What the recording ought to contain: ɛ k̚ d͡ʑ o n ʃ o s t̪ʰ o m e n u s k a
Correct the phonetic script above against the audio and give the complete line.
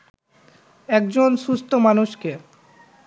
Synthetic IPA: ɛ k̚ d͡ʑ o n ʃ u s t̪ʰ o m a n u ʃ k e